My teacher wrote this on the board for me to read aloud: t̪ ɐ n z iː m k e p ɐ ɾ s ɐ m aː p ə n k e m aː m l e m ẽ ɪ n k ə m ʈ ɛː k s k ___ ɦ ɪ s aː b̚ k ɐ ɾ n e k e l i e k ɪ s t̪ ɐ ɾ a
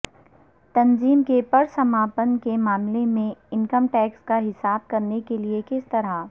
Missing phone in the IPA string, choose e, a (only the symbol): a